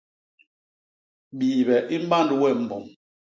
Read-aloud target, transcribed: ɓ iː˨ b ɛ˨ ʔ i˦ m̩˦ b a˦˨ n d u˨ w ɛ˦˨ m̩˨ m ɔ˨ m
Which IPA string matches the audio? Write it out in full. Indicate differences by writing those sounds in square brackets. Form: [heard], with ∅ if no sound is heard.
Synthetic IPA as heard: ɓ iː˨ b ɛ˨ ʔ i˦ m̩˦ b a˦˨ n d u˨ w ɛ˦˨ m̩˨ [b] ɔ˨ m